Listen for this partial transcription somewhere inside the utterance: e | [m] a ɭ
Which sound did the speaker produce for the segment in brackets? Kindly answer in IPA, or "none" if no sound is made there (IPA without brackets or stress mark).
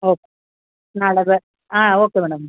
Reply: n